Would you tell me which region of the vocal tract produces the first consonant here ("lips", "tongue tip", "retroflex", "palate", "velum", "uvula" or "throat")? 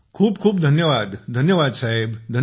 velum